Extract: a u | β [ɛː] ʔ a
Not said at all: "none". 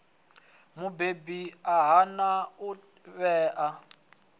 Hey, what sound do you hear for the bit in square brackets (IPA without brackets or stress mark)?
ɛː